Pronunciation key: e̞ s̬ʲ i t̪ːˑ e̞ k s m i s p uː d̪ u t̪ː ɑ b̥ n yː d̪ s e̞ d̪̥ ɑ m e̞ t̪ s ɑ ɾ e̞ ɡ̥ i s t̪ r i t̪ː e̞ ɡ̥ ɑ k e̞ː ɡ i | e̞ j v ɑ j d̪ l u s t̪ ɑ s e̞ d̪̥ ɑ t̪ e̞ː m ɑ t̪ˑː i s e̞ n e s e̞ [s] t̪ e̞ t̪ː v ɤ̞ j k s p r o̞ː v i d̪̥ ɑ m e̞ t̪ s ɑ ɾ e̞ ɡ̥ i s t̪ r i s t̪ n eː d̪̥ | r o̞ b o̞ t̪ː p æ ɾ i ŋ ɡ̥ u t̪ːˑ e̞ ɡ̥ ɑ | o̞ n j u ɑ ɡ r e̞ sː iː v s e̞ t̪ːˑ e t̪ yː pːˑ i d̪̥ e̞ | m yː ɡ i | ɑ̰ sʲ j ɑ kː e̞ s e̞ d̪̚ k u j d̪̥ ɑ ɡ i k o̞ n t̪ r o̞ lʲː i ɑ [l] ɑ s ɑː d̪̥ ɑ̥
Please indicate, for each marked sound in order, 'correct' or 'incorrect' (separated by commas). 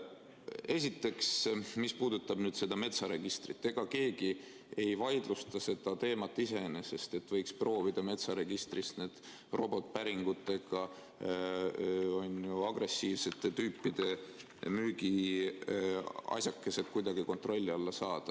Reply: correct, incorrect